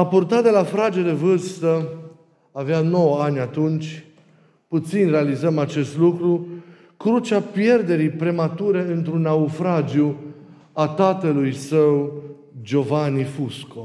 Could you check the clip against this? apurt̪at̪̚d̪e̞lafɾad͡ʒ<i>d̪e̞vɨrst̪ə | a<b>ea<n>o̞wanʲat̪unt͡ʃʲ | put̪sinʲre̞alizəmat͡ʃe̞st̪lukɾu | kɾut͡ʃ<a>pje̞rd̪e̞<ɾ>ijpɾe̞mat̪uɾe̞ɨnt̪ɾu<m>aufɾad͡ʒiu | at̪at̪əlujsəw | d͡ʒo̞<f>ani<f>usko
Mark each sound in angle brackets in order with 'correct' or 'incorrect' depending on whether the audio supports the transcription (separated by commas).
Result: incorrect, incorrect, correct, correct, correct, incorrect, incorrect, correct